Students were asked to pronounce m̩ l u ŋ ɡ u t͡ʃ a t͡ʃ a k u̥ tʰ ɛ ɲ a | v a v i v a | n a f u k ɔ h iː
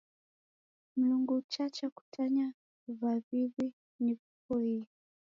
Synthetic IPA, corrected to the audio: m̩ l u ŋ ɡ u t͡ʃ a t͡ʃ a k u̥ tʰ a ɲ a | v a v i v i | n i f u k ɔ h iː